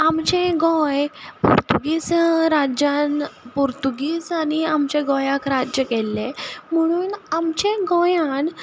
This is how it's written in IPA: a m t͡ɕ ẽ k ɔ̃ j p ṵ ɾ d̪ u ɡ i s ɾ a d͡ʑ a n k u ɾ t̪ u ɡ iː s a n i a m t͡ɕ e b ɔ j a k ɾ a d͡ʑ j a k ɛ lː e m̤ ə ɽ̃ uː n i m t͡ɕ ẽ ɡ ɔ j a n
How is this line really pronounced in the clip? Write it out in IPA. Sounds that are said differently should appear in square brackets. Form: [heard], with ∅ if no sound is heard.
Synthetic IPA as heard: a m t͡ɕ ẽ [ɡ] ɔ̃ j p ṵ ɾ [t̪] u ɡ i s ɾ a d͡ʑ a n [p] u ɾ t̪ u ɡ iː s a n i a m t͡ɕ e [ɡ] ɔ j a k ɾ a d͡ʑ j [ə] k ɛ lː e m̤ ə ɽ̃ uː n [a] m t͡ɕ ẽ ɡ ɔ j a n